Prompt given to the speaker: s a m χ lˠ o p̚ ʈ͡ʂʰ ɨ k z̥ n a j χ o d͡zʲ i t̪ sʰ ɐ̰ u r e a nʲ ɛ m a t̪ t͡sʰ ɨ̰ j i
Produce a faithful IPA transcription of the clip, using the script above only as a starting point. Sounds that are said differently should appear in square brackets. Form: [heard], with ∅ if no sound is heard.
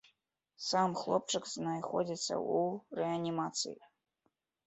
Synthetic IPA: s a m χ lˠ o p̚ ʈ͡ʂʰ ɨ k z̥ n a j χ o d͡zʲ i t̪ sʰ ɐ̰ u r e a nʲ [i] m a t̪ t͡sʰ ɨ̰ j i